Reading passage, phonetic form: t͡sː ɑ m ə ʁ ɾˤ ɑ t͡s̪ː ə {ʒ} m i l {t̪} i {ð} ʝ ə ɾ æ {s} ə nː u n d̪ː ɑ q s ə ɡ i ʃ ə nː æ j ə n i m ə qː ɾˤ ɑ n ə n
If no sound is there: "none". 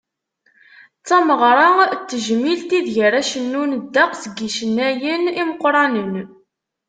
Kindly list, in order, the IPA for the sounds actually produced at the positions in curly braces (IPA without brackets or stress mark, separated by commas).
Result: ʒ, t̪, ð, ʃ